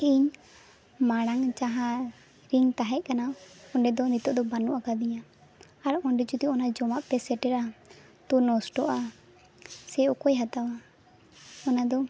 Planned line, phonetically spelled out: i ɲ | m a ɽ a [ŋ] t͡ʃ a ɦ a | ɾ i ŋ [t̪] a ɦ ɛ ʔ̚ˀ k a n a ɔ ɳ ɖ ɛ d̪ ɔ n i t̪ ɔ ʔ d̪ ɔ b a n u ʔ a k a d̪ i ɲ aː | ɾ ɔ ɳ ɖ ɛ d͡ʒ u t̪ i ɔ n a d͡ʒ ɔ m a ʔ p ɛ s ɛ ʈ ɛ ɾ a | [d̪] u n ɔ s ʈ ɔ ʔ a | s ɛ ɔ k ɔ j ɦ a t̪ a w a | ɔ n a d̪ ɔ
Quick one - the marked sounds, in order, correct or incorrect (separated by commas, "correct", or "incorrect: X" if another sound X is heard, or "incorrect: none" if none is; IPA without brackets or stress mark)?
correct, correct, incorrect: t̪